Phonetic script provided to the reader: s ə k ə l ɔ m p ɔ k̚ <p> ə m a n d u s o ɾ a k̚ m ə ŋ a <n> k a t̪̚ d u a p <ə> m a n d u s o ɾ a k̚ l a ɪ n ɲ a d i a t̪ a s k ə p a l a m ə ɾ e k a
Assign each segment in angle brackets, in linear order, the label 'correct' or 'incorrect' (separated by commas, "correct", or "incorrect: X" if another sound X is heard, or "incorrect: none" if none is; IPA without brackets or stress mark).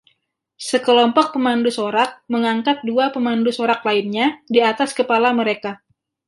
correct, incorrect: ŋ, correct